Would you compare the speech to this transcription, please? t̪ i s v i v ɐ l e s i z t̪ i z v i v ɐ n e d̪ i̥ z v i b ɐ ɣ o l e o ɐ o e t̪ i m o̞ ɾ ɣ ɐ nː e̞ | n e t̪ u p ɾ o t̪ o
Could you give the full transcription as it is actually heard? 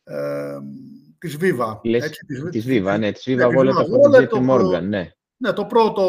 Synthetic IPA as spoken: t̪ i z v i v ɐ l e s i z t̪ i z v i v ɐ n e t̪ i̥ z v i v ɐ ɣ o l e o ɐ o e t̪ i m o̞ ɾ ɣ ɐ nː e̞ | n e t̪ o p ɾ o t̪ o